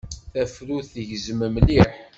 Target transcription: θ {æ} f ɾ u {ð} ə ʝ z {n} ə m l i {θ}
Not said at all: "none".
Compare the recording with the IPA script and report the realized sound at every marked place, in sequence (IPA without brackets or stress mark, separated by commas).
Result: æ, θ, m, ħ